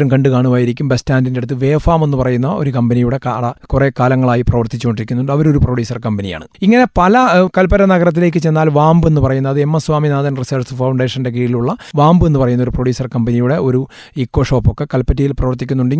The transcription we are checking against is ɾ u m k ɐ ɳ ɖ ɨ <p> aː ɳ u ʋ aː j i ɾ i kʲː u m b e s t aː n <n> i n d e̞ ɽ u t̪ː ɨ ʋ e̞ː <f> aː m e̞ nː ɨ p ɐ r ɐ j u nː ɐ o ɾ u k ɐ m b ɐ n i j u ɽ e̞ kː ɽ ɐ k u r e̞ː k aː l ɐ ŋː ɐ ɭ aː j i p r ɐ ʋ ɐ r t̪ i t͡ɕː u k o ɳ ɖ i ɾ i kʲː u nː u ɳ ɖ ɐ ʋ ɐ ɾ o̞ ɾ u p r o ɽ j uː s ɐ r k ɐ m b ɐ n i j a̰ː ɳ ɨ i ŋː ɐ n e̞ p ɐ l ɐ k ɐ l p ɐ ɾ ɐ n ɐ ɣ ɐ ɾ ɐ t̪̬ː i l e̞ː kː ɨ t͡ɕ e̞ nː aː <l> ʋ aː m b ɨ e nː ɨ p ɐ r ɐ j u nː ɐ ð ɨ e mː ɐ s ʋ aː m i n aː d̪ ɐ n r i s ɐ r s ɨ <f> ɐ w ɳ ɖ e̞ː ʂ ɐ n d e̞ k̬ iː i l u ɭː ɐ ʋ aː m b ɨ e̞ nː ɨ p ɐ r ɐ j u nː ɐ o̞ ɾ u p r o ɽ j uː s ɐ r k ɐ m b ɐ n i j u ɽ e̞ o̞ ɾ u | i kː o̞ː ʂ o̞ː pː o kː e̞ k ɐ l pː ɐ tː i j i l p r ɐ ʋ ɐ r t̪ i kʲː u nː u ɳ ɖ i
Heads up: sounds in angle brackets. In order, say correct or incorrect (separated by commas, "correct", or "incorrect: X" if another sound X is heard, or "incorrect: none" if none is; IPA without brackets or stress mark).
incorrect: k, incorrect: d, correct, correct, correct